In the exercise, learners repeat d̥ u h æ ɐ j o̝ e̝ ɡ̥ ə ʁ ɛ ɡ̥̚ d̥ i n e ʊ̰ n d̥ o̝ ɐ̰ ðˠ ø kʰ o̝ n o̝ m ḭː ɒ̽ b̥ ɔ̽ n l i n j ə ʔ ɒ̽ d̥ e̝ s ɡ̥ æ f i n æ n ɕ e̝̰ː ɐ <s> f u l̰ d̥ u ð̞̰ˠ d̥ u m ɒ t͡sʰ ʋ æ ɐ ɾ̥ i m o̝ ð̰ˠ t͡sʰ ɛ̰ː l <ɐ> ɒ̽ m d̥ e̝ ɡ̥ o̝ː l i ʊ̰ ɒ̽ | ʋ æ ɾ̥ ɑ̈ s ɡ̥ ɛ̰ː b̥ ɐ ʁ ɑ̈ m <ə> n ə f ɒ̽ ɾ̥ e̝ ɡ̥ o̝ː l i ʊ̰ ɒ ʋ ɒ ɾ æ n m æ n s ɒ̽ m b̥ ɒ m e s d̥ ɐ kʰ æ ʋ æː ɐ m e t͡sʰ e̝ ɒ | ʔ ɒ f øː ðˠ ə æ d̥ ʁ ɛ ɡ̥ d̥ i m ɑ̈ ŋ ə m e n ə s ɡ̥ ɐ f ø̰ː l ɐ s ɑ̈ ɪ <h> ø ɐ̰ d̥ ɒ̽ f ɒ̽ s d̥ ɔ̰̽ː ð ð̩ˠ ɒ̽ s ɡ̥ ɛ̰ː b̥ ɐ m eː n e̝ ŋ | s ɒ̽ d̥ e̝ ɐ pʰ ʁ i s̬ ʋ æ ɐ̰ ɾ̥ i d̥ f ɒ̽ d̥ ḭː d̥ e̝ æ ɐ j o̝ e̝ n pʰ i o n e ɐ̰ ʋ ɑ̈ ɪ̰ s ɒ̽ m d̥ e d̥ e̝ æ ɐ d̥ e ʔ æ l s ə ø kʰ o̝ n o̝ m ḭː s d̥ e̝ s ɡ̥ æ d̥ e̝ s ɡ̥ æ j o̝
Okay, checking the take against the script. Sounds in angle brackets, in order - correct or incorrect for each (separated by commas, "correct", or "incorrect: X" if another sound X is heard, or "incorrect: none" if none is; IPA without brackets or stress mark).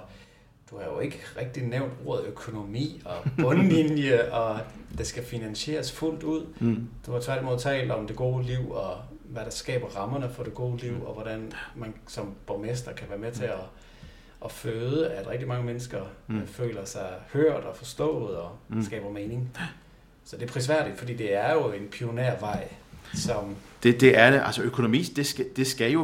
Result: correct, incorrect: ə, incorrect: ɐ, correct